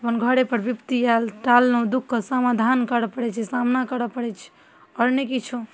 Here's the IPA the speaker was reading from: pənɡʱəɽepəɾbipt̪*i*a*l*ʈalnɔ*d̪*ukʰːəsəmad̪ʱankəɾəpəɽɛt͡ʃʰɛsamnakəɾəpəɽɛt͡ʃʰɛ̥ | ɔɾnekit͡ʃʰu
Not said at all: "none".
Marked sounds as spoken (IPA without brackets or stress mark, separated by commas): i, l, d̪